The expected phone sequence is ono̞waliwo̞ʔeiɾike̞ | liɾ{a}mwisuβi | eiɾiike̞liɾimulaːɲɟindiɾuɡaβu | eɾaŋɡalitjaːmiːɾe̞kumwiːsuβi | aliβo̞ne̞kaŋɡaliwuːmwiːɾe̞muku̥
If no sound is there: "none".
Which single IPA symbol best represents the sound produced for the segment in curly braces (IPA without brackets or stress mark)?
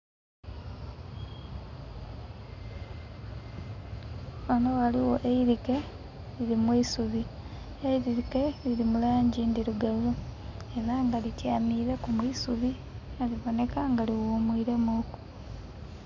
i